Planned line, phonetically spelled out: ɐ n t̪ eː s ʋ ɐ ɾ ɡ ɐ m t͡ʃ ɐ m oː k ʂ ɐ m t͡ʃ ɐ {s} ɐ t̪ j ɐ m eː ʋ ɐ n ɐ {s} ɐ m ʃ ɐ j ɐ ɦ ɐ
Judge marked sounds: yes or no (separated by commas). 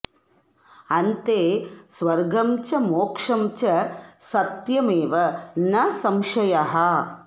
yes, yes